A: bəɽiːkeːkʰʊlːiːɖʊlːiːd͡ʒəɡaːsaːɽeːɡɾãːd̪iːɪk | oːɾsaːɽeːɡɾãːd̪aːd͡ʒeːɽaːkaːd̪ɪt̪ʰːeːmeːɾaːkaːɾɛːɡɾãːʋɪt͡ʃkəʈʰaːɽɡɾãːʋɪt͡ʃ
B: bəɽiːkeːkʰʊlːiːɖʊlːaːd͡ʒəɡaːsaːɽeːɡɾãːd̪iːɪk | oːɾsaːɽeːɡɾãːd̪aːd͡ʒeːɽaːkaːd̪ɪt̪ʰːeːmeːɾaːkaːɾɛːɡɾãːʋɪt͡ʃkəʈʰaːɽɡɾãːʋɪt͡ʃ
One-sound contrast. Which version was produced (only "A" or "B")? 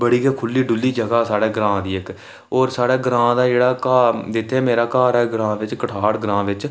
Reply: A